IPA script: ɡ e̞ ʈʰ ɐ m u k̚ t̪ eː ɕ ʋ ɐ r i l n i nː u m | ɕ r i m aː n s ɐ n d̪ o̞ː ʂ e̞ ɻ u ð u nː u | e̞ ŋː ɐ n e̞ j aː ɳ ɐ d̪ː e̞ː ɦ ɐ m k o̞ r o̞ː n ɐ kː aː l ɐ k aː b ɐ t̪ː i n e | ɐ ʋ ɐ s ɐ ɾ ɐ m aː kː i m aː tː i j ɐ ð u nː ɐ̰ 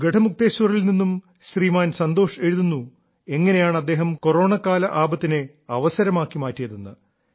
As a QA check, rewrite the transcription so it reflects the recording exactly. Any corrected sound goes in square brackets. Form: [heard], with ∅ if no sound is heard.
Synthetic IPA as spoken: ɡ e̞ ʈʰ ɐ m u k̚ t̪ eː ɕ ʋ ɐ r i l n i nː u m | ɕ r [iː] m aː n s ɐ n d̪ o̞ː ʂ e̞ ɻ u ð u nː u | e̞ ŋː ɐ n e̞ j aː ɳ ɐ d̪ː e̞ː ɦ ɐ m k o̞ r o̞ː [ɳ] ɐ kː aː l ɐ [ʔ] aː b ɐ t̪ː i n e | ɐ ʋ ɐ s ɐ ɾ ɐ m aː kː i m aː tː i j ɐ ð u nː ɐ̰